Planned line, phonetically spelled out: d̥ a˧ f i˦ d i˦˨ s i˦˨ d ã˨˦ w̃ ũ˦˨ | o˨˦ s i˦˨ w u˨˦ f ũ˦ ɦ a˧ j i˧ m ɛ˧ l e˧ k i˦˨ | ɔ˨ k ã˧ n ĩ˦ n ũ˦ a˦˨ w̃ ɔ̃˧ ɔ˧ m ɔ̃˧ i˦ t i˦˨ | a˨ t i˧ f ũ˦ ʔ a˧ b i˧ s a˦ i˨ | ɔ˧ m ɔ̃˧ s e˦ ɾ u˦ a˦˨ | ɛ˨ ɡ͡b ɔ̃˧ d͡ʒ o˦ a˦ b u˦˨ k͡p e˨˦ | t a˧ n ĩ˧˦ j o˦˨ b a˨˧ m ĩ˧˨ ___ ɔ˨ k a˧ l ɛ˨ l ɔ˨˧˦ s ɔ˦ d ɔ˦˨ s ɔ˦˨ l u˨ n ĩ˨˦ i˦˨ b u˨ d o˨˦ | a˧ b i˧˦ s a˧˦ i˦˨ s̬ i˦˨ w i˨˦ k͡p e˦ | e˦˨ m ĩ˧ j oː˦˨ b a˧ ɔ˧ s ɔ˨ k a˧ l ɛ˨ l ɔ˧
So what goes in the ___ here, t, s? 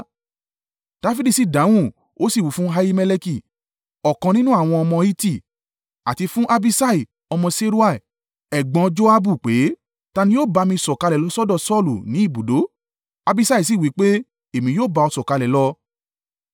s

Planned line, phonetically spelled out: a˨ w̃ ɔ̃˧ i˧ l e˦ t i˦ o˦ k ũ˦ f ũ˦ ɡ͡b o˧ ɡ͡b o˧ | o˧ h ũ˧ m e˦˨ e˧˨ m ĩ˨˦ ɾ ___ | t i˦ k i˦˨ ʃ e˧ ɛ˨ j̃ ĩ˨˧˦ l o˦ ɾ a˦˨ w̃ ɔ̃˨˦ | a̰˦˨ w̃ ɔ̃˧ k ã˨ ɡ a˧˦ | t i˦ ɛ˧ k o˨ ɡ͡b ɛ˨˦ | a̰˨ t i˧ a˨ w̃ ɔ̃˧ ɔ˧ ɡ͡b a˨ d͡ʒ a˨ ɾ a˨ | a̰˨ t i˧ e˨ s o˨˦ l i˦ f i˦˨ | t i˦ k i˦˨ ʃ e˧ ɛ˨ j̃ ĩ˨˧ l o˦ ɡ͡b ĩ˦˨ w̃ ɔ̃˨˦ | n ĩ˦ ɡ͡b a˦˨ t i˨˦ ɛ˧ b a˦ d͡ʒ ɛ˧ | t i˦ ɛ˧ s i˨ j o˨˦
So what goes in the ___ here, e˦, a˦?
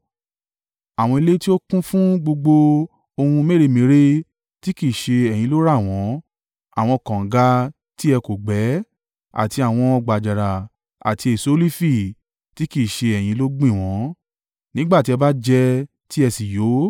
e˦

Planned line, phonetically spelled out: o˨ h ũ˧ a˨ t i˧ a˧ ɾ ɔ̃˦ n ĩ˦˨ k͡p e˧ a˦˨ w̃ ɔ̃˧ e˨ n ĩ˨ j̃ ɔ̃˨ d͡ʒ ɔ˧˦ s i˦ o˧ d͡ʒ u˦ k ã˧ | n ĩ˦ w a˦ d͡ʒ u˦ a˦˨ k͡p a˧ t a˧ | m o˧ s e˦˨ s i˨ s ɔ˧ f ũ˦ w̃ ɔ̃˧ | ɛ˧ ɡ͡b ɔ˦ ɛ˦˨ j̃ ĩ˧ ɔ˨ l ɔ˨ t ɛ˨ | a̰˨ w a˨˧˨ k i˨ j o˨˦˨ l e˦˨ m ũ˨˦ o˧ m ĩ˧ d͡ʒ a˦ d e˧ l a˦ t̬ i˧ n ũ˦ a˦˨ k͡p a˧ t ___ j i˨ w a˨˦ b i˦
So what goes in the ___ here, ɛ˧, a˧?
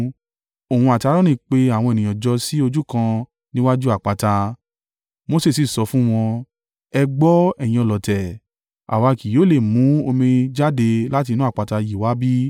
a˧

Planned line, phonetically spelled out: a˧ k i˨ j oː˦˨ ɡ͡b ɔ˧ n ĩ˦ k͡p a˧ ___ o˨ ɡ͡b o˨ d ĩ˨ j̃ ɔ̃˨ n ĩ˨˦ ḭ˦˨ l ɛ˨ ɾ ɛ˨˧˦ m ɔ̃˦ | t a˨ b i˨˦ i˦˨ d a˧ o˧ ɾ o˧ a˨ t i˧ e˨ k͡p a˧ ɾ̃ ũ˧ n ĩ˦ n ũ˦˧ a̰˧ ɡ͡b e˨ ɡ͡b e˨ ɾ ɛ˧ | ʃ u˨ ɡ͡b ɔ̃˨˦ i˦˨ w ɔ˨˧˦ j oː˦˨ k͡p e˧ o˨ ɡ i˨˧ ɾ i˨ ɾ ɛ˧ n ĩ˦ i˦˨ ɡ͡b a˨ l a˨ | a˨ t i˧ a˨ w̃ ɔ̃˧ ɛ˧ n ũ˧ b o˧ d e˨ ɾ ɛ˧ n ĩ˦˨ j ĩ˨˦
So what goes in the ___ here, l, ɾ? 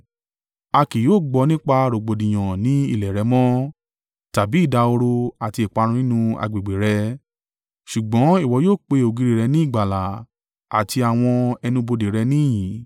ɾ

